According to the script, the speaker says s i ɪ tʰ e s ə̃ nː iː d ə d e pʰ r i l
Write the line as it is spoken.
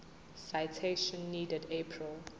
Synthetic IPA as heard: s a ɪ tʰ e ʃ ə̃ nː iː d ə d e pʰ ɹ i l